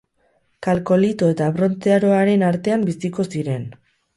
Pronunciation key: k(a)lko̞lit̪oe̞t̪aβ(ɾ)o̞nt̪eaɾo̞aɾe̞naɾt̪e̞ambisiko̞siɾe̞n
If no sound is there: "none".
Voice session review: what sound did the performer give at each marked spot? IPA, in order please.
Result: a, ɾ

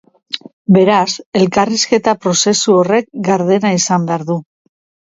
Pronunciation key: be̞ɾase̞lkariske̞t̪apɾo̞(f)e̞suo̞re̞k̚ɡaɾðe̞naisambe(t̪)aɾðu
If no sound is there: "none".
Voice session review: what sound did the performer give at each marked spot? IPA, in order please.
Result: s, none

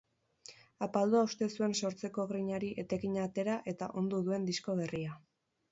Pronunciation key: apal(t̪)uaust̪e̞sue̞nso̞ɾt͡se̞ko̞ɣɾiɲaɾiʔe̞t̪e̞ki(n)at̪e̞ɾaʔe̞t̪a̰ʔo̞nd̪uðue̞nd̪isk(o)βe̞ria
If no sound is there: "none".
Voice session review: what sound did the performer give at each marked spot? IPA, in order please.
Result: d̪, ɲ, o

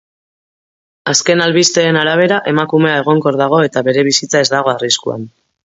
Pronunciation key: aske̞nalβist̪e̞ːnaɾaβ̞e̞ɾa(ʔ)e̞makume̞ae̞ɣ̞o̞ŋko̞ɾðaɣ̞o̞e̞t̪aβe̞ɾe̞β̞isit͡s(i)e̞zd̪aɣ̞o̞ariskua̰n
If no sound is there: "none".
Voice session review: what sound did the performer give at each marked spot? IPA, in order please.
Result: ʔ, a

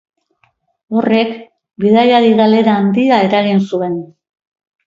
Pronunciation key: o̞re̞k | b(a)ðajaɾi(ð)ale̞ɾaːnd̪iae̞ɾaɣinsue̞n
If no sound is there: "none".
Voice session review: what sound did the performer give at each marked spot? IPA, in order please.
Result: i, ɣ

